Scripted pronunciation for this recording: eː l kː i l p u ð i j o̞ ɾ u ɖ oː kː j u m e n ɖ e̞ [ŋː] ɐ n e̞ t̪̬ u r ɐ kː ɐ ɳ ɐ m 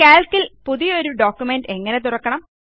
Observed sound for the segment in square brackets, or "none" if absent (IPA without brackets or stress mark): ŋː